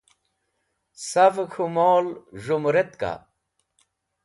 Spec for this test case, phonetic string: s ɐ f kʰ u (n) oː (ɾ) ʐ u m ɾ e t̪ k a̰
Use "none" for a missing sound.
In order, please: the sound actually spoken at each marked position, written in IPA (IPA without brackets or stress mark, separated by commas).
m, l